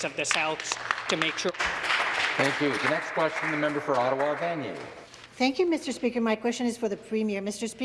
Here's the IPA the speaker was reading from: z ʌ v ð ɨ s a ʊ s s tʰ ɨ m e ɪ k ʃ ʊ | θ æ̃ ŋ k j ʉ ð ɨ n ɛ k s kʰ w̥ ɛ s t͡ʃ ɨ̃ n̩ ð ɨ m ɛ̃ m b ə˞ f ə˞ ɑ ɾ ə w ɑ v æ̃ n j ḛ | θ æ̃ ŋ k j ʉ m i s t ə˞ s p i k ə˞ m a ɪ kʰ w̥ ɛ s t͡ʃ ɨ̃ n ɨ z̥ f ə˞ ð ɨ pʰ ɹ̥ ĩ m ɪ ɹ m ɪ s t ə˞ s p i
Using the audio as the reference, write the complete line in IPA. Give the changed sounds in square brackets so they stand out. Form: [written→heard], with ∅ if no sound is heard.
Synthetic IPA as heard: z ʌ v ð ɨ s a ʊ [s→θ] s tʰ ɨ m e ɪ k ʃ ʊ | θ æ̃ ŋ k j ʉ ð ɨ n ɛ k s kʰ w̥ ɛ s t͡ʃ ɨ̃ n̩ ð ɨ m ɛ̃ m b ə˞ f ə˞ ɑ ɾ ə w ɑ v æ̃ n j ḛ | θ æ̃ ŋ k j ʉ m [i→ɪ] s t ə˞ s p i k ə˞ m a ɪ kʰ w̥ ɛ s t͡ʃ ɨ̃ n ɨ z̥ f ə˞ ð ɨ pʰ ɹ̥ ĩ m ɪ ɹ m ɪ s t ə˞ s p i